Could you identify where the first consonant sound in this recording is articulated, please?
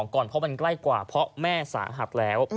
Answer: velar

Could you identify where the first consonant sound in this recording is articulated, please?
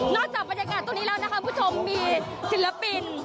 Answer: alveolar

